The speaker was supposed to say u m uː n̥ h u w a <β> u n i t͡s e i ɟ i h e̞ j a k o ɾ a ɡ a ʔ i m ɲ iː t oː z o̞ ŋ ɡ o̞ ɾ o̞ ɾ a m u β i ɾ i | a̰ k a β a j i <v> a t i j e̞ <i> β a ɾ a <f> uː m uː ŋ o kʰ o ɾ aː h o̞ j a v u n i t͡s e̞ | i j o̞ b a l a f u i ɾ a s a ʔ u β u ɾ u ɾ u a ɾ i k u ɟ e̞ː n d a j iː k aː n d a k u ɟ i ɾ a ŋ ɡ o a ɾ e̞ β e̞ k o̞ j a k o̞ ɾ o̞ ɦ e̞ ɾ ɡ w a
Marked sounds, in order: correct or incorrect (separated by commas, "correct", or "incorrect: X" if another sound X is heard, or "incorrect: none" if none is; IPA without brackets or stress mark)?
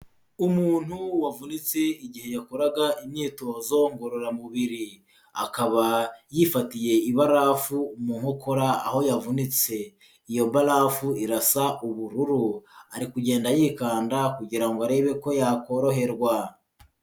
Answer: incorrect: v, incorrect: f, correct, correct